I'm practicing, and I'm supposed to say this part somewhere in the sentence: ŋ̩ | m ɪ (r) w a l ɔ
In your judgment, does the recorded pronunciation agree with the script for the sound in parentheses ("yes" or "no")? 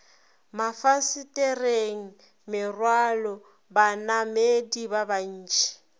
yes